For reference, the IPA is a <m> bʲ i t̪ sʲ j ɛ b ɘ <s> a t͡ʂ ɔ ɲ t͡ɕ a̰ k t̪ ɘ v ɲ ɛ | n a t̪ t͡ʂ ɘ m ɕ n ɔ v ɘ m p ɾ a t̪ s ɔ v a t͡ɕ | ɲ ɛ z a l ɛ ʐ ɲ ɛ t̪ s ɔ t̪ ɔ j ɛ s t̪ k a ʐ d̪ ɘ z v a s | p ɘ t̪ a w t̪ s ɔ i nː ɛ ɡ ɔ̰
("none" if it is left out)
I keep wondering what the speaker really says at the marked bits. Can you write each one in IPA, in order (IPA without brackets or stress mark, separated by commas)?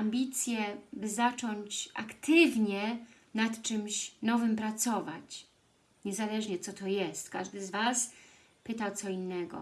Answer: m, z